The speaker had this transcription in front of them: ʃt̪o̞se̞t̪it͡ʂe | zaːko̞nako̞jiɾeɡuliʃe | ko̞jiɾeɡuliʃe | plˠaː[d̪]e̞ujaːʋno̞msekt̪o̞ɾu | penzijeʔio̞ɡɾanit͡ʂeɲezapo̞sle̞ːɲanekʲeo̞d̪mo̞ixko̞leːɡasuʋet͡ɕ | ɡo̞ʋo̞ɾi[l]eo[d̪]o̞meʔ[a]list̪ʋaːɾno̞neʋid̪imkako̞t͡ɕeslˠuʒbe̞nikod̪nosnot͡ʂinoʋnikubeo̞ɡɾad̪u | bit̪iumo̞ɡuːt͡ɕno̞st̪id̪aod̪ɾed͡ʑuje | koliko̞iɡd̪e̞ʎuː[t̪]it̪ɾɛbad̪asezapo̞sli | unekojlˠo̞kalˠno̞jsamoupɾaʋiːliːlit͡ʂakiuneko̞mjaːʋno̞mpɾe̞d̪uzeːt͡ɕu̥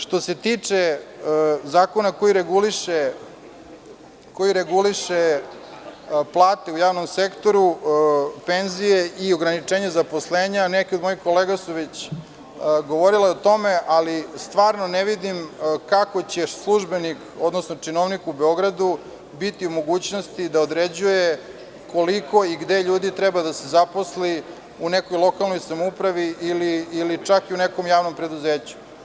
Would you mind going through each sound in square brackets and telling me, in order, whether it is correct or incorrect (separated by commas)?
incorrect, correct, incorrect, correct, incorrect